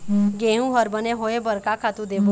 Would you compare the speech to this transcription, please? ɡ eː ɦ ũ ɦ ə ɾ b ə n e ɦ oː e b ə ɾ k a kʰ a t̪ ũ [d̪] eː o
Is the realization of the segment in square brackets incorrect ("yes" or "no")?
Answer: no